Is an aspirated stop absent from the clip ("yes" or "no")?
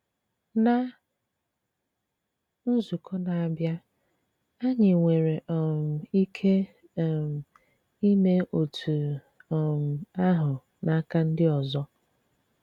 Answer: no